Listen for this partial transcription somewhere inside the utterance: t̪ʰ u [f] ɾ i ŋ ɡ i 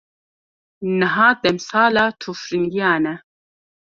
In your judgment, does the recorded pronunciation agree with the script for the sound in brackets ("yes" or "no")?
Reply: yes